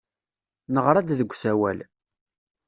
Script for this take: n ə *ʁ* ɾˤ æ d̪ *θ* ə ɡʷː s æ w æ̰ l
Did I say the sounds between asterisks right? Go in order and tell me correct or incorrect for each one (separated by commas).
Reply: correct, incorrect